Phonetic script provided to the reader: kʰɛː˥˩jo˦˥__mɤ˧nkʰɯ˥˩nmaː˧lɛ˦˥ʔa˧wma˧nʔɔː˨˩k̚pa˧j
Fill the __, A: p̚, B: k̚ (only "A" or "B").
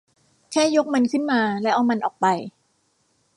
B